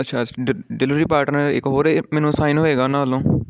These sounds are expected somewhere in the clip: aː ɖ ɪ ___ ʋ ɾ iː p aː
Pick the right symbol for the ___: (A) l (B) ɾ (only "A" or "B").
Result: A